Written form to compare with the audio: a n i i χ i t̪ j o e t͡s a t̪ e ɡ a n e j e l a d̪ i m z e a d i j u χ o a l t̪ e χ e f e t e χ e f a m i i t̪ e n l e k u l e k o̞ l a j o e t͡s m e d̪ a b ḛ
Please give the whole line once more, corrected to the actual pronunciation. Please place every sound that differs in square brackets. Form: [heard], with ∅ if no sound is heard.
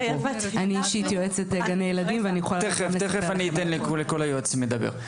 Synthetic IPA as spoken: a n i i [ʃ] i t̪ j o e t͡s [e] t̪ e ɡ a n e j e l a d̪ i m [v] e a [n] i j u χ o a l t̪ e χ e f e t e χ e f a [n] i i t̪ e n l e k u l e k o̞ l a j o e t͡s m e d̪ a b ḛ